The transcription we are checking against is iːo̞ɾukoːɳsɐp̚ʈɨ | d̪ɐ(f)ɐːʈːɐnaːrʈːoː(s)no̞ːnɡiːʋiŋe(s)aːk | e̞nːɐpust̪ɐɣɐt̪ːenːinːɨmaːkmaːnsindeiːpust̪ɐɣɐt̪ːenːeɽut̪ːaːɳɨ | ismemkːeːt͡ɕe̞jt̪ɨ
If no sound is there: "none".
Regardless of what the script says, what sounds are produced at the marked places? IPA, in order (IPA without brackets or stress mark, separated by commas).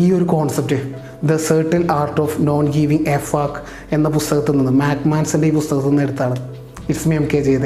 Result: s, f, f